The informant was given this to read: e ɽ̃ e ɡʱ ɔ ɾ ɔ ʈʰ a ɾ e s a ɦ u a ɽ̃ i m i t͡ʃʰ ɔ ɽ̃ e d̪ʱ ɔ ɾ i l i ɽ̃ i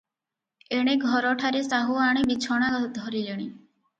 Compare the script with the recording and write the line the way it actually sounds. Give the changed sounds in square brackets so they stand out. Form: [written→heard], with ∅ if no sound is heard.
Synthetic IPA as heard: e ɽ̃ e ɡʱ ɔ ɾ ɔ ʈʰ a ɾ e s a ɦ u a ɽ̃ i [m→b] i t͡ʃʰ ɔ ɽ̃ [e→a] d̪ʱ ɔ ɾ i l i ɽ̃ i